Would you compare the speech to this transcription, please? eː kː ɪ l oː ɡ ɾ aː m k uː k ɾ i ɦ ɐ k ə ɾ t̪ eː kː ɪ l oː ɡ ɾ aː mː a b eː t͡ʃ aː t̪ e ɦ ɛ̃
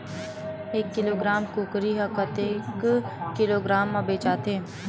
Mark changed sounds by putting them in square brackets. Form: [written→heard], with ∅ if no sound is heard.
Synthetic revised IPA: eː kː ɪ l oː ɡ ɾ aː m k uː k ɾ i ɦ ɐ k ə [ɾ→∅] t̪ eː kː ɪ l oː ɡ ɾ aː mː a b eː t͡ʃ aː t̪ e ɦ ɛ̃